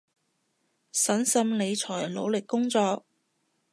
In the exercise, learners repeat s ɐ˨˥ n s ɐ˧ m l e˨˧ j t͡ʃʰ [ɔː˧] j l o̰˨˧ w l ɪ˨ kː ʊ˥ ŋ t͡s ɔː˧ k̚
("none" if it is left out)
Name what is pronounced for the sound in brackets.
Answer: ɔː˨˩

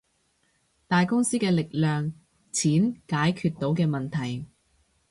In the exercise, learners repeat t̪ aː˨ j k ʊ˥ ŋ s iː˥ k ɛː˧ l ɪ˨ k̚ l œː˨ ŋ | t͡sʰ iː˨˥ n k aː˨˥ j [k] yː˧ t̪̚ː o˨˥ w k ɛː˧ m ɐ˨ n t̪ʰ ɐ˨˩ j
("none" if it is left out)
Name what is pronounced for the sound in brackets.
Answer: kʰ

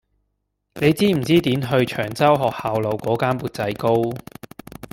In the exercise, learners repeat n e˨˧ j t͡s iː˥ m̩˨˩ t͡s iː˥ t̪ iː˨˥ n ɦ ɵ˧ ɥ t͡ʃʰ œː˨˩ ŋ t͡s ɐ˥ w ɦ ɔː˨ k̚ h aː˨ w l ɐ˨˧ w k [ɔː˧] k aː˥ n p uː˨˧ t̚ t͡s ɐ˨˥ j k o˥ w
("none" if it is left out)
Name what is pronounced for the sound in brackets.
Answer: ɔː˨˥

